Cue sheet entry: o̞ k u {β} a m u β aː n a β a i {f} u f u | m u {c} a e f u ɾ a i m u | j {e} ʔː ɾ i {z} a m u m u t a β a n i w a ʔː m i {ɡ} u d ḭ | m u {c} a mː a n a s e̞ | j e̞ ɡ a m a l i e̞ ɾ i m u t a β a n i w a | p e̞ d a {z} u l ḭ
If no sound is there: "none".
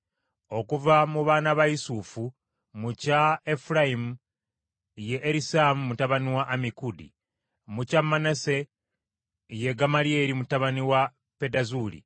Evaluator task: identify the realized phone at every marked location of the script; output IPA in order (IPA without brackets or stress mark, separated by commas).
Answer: v, s, c, e, s, k, c, z